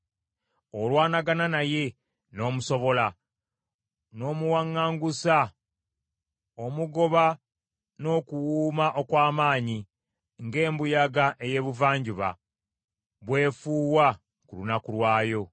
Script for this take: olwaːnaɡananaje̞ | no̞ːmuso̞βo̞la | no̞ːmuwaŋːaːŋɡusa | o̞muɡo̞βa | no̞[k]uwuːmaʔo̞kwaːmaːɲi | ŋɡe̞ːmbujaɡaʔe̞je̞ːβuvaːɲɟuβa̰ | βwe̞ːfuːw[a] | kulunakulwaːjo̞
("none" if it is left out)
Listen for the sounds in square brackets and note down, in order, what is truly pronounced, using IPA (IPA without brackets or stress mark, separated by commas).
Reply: k, a